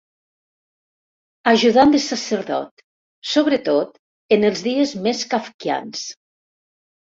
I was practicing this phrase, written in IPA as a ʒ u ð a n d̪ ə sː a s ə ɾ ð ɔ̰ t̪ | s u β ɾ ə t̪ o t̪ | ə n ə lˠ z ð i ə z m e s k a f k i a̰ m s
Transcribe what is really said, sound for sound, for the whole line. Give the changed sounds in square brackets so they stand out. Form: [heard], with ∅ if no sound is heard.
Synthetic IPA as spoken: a ʒ u ð a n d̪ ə [s] a s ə ɾ ð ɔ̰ t̪ | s [o] β ɾ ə t̪ o t̪ | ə n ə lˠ z ð i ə z m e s k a f k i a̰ [n] s